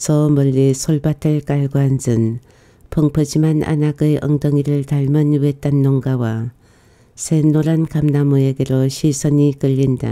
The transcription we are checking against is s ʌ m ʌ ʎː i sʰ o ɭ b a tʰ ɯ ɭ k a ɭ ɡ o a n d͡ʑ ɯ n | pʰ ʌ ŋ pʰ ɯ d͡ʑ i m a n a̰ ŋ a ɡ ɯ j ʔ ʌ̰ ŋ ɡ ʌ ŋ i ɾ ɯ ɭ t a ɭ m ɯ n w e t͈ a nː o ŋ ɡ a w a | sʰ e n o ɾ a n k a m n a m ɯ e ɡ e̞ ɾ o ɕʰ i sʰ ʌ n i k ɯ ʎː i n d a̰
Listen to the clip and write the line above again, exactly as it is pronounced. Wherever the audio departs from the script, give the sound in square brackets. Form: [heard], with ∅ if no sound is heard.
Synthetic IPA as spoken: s ʌ m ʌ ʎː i sʰ o ɭ b a tʰ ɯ ɭ k a ɭ ɡ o a n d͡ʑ ɯ n | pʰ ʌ ŋ pʰ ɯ d͡ʑ i m a n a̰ [n] a ɡ ɯ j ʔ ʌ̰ ŋ [d] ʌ ŋ i ɾ ɯ ɭ t a ɭ m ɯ n w e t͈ a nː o ŋ ɡ a w a | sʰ e n o ɾ a n k a m n a m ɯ e ɡ e̞ ɾ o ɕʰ i sʰ ʌ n i k ɯ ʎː i n d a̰